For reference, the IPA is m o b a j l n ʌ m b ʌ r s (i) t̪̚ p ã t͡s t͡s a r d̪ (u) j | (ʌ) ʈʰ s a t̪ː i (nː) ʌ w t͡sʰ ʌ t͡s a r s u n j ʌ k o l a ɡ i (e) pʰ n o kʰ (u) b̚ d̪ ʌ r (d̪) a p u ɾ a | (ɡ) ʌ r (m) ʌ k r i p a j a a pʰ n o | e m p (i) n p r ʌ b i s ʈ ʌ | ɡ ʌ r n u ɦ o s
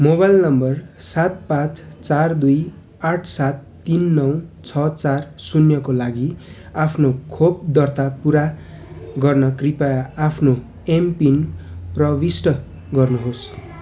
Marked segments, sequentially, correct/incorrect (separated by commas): incorrect, correct, incorrect, correct, incorrect, incorrect, incorrect, correct, incorrect, correct